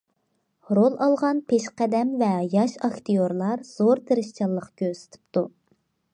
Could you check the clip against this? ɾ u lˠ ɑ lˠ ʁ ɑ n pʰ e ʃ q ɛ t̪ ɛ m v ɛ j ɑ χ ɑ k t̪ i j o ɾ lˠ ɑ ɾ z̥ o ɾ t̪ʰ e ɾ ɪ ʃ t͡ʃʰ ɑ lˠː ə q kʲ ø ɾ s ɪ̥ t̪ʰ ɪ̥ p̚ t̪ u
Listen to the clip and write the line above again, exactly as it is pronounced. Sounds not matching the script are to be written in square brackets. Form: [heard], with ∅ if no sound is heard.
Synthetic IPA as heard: ɾ [o] lˠ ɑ lˠ ʁ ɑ n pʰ e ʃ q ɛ [d̪] ɛ m v ɛ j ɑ [ʃ] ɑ k t̪ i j o ɾ lˠ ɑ ɾ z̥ o ɾ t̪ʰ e ɾ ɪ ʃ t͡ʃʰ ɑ lˠː ə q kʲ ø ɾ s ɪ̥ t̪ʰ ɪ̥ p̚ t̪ u

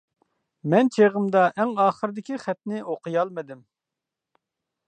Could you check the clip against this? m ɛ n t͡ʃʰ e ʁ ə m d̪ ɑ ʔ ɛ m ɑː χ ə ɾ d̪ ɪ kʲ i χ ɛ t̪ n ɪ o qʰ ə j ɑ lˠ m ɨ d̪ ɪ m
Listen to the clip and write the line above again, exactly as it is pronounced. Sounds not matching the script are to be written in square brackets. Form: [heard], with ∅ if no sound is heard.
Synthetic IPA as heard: m ɛ n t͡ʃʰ e ʁ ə m d̪ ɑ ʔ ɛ [ŋ] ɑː χ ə ɾ d̪ ɪ kʲ i χ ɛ t̪ n ɪ o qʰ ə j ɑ lˠ m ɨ d̪ ɪ m

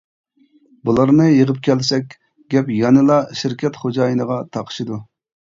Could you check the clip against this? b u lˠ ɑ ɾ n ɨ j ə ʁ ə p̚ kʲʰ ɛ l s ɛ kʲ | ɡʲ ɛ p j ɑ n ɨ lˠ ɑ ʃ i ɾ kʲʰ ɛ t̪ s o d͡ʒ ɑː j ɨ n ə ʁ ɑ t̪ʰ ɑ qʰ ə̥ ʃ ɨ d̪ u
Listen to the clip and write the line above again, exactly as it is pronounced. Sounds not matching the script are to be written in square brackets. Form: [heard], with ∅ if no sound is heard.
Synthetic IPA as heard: b u lˠ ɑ ɾ n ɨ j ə ʁ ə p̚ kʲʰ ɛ l s ɛ kʲ | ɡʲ ɛ p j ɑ n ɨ lˠ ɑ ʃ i ɾ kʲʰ ɛ t̪ [χ] o d͡ʒ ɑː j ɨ n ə ʁ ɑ t̪ʰ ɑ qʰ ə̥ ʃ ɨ d̪ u

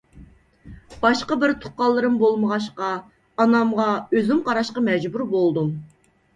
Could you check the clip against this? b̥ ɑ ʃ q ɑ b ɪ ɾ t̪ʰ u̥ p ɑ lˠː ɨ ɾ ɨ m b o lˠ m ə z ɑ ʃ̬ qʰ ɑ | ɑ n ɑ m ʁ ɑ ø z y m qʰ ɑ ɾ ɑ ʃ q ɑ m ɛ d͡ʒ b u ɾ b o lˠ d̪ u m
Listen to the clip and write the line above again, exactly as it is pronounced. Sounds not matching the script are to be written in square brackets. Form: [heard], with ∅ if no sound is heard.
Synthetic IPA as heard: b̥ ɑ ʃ q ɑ b ɪ ɾ t̪ʰ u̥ [q] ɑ lˠː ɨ ɾ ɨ m b o lˠ m ə [ʁ] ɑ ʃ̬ [q] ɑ | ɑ n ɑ m ʁ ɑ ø z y m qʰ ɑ ɾ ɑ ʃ q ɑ m ɛ d͡ʒ b u ɾ b o lˠ d̪ u m

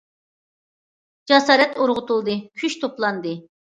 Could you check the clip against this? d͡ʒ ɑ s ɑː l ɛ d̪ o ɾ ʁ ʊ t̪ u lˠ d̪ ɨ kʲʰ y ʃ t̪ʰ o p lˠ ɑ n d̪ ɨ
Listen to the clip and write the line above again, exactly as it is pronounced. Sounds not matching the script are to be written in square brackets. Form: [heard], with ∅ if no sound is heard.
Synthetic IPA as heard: d͡ʒ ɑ s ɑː [ɾ] ɛ [t̪] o ɾ ʁ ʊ t̪ u lˠ d̪ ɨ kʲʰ y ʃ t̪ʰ o p lˠ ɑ n d̪ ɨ

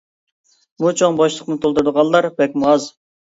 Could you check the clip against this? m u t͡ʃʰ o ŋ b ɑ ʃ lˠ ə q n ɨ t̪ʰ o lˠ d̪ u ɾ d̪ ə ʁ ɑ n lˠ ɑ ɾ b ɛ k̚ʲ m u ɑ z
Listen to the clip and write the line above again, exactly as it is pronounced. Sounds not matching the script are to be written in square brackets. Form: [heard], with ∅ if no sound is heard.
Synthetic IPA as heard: m u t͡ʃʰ o ŋ b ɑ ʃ lˠ ə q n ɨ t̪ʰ o lˠ d̪ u ɾ d̪ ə ʁ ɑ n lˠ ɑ ɾ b ɛ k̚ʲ m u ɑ z

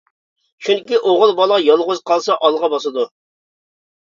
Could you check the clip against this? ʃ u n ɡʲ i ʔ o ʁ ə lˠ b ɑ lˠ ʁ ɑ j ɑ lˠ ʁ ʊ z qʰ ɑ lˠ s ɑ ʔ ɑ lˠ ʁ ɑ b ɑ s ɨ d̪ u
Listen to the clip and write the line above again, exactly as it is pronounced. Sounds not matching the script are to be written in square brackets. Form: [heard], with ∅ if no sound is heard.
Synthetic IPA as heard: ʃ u n [kʲ] i ʔ o ʁ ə lˠ b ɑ lˠ ʁ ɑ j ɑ lˠ ʁ ʊ z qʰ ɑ lˠ s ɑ ʔ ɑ lˠ ʁ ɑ b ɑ s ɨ d̪ u

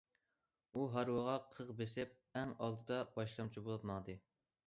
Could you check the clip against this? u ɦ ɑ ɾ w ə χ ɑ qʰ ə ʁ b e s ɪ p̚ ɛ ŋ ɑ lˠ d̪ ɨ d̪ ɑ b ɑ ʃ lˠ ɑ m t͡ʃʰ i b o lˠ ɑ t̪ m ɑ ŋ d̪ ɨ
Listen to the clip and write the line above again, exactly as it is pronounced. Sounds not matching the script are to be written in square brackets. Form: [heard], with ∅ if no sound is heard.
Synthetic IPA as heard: u ɦ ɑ ɾ w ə [ʁ] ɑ qʰ ə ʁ b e s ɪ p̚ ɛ ŋ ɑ lˠ d̪ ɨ d̪ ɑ b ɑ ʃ lˠ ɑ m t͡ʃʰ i b o lˠ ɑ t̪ m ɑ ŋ d̪ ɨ

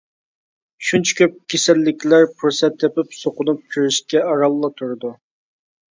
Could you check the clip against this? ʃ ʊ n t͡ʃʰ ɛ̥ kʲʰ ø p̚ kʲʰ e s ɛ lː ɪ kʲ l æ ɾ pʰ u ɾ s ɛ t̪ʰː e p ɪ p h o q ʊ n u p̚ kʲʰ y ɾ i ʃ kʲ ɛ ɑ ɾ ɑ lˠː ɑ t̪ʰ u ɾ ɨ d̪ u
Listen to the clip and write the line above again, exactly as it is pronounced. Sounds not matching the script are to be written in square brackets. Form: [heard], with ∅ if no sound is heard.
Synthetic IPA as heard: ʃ [u] n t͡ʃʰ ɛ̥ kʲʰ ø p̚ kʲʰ e s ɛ lː ɪ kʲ l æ ɾ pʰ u ɾ s ɛ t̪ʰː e p ɪ p [s] o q ʊ n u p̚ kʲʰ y ɾ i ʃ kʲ ɛ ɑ ɾ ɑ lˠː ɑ t̪ʰ u ɾ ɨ d̪ u

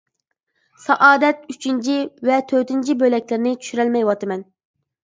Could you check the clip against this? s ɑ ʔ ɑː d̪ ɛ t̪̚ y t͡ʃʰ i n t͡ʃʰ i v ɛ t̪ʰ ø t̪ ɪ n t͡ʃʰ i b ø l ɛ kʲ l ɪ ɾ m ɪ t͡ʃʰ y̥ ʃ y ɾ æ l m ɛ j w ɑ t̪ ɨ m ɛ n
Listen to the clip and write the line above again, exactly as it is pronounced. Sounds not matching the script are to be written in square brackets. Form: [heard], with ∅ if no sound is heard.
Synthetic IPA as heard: s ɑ ʔ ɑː d̪ ɛ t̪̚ y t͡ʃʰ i n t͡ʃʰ i v ɛ t̪ʰ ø t̪ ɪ n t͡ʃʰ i b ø l ɛ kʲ l ɪ ɾ [n] ɪ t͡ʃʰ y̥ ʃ y ɾ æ l m ɛ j w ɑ t̪ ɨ m ɛ n

